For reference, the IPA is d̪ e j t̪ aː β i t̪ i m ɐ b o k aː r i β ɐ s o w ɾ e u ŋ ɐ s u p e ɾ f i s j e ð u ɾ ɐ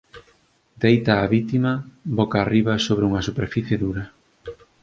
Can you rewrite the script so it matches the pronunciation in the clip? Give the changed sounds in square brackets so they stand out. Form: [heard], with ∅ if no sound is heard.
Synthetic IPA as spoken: d̪ e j t̪ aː β i t̪ i m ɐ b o k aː r i β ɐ s o [β] ɾ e u ŋ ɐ s u p e ɾ f i [θ] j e ð u ɾ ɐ